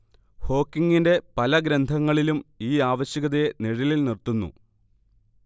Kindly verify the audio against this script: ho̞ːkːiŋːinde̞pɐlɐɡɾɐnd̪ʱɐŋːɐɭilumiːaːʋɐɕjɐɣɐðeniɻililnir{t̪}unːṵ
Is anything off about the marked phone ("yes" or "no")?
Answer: no